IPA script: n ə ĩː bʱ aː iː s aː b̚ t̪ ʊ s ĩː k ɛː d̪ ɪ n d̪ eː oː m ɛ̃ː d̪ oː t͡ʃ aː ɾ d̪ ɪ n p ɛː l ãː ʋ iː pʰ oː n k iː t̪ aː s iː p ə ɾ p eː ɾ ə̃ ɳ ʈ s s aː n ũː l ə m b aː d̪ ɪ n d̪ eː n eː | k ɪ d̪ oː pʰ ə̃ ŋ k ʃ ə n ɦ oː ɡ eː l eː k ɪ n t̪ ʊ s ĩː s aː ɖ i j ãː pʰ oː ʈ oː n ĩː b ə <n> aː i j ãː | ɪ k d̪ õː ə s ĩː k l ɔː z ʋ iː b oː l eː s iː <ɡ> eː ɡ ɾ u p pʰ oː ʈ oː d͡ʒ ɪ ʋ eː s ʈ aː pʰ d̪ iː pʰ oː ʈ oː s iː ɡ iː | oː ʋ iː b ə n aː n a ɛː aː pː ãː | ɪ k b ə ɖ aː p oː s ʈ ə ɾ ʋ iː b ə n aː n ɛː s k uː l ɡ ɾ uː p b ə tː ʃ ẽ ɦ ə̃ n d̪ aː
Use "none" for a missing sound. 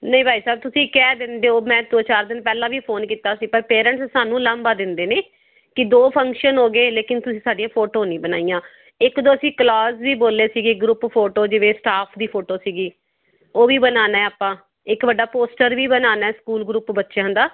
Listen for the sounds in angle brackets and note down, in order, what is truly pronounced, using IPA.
n, ɡ

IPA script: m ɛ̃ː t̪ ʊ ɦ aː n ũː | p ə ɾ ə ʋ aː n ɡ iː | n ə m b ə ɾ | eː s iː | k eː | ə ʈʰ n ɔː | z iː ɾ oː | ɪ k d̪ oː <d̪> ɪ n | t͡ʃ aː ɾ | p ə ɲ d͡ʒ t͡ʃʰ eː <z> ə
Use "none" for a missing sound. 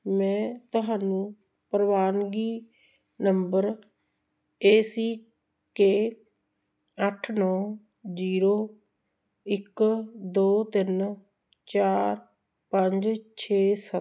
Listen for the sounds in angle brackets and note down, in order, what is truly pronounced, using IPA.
t̪, s

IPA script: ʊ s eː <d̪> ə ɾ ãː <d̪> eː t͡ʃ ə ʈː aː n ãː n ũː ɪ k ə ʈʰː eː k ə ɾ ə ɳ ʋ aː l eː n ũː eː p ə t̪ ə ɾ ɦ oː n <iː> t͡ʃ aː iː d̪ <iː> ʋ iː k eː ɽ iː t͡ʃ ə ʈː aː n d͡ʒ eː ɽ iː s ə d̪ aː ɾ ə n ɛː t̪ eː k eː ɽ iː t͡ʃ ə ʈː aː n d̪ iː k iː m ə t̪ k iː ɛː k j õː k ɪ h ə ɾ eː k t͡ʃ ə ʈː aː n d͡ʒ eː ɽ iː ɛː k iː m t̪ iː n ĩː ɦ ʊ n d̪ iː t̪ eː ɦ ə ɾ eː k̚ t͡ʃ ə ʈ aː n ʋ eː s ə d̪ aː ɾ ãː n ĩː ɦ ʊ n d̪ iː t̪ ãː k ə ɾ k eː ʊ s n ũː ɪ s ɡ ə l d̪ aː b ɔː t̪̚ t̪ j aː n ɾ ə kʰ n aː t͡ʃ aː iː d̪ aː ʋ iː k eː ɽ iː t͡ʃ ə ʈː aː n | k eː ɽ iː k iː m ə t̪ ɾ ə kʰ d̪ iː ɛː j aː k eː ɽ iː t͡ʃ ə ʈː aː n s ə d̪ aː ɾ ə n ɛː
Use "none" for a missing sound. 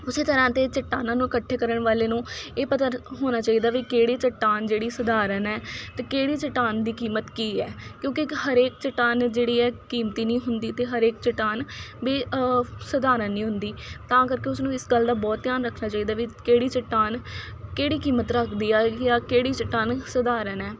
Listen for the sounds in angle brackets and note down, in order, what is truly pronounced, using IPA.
t̪, t̪, aː, aː

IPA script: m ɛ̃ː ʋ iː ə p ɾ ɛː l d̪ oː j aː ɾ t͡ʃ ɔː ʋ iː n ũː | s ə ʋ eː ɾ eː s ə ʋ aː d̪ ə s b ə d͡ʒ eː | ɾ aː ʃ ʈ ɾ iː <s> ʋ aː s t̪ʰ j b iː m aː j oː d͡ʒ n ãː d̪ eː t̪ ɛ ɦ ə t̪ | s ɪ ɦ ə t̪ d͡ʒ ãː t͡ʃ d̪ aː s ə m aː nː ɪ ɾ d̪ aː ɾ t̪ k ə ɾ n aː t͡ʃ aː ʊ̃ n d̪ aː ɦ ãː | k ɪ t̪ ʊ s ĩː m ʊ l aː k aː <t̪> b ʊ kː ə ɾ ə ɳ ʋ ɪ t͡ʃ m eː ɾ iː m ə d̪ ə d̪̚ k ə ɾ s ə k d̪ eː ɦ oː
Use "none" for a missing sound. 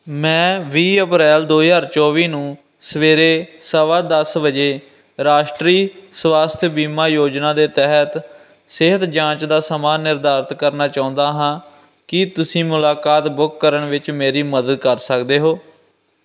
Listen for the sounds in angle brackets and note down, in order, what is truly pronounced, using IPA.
s, t̪

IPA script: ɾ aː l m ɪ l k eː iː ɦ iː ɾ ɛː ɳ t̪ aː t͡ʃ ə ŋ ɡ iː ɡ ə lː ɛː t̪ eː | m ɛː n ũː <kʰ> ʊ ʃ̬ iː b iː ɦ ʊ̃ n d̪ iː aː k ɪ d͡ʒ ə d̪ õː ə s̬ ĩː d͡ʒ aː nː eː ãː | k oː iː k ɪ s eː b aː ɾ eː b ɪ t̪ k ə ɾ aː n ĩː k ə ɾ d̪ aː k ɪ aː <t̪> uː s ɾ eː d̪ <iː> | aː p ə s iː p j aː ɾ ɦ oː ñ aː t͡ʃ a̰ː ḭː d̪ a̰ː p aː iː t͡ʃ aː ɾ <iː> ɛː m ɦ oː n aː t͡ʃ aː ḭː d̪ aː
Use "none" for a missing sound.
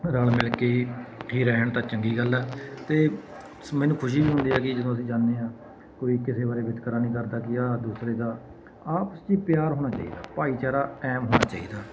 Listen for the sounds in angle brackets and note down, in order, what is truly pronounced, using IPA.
kʰ, d̪, aː, aː

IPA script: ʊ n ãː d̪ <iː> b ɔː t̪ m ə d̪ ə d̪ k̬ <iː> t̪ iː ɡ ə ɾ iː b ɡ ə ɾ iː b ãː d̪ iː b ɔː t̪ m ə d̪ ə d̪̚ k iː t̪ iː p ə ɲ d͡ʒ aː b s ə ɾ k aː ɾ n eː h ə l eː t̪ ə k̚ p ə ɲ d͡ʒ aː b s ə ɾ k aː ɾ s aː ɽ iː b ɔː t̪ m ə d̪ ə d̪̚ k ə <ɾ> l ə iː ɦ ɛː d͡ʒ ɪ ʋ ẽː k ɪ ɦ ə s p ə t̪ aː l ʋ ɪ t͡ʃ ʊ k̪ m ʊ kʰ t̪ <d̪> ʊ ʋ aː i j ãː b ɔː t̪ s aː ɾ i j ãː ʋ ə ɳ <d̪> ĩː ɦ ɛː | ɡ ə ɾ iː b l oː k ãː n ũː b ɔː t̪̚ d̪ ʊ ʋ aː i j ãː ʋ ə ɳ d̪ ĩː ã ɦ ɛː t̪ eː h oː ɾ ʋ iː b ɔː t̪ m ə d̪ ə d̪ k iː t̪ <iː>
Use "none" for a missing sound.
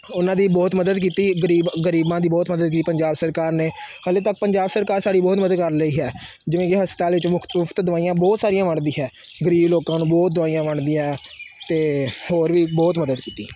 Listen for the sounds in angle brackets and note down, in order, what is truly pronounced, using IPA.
iː, iː, ɾ, d̪, d̪, iː

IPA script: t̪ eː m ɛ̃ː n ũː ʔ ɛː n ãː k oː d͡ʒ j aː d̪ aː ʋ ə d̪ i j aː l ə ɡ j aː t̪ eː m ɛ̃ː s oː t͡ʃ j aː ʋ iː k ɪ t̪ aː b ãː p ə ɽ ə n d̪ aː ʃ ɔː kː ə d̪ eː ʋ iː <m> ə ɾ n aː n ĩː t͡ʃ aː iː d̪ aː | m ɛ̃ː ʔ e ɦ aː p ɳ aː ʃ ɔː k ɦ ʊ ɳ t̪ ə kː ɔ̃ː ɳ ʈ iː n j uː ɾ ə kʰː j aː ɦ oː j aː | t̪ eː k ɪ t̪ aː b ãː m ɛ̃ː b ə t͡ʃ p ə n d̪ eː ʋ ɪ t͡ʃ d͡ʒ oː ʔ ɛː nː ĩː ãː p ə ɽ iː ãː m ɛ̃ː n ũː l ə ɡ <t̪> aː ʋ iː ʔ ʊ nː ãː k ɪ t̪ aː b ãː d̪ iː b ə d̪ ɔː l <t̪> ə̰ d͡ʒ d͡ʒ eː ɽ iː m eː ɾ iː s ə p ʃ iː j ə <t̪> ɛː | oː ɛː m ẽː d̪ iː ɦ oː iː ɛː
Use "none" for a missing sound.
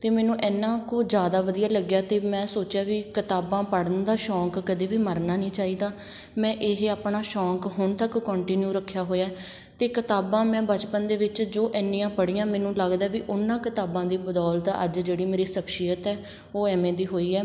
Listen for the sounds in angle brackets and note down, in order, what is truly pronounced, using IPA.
m, d̪, t̪, t̪

